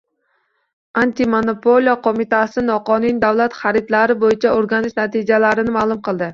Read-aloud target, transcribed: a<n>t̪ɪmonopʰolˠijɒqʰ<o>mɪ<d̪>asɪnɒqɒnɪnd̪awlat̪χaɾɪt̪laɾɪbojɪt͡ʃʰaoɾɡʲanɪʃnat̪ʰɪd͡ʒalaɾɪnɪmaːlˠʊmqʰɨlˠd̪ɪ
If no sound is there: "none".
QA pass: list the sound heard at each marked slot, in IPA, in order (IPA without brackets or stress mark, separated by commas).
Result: n, o, t̪